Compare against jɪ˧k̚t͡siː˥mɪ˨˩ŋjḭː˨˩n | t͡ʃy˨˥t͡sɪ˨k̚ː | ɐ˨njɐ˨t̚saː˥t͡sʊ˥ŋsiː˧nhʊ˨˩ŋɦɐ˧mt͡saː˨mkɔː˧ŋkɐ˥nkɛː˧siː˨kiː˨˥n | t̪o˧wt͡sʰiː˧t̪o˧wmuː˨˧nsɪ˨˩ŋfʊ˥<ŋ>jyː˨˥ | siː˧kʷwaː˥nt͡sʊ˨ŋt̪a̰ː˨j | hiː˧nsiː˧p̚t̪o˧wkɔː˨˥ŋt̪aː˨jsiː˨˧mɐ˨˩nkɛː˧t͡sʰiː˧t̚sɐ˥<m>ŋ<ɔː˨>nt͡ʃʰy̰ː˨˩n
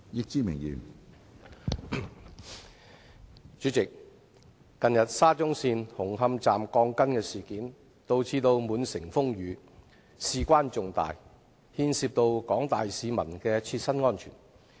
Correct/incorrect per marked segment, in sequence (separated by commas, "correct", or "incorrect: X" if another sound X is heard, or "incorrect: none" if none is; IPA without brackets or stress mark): correct, incorrect: n, incorrect: ɔː˥